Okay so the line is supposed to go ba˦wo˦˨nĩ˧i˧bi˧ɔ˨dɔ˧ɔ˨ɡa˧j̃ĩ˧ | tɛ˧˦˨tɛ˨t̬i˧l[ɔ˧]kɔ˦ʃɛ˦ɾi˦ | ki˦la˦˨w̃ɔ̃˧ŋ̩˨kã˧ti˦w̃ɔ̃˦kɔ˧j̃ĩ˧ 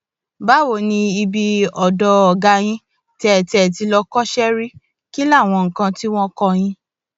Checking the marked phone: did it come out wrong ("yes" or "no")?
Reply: no